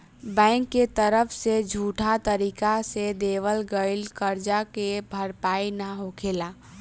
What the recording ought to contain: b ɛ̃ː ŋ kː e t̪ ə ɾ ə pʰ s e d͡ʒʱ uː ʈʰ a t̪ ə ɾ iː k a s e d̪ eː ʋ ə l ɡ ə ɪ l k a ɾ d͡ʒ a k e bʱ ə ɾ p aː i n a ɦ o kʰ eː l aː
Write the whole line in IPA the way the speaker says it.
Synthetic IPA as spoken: b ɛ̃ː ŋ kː e t̪ ə ɾ ə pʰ s e d͡ʒʱ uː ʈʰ a t̪ ə ɾ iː k a s e d̪ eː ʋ ə l ɡ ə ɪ l k ə ɾ d͡ʒ a k e bʱ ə ɾ p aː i n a ɦ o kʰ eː l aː